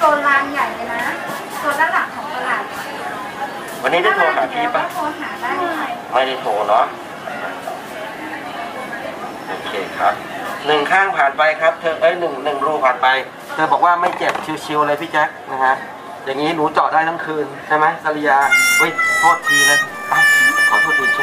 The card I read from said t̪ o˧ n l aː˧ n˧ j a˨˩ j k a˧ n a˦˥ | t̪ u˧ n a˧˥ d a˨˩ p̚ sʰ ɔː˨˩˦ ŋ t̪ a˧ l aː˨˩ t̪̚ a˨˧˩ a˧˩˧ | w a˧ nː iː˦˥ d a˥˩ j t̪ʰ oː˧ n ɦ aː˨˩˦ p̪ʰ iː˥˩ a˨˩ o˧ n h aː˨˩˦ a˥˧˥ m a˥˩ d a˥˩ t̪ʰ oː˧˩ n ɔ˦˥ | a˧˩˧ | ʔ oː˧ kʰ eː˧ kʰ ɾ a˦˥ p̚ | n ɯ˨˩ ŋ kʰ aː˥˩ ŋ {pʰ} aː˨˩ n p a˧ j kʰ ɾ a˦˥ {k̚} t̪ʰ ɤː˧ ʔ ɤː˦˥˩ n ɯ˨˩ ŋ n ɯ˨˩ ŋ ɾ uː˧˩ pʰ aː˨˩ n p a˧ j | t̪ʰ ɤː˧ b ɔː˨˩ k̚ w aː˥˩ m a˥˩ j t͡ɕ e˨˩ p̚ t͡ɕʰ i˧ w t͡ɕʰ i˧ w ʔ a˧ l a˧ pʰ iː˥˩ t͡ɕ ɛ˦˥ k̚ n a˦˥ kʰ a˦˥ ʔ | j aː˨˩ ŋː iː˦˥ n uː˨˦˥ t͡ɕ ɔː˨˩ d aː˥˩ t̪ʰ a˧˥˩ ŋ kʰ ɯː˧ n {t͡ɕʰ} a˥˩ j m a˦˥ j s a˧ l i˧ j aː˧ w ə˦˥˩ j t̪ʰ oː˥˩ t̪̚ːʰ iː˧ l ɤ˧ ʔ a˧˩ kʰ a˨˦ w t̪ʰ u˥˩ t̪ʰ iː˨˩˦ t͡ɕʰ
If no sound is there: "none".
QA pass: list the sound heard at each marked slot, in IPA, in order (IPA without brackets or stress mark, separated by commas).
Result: pʰ, p̚, t͡ɕʰ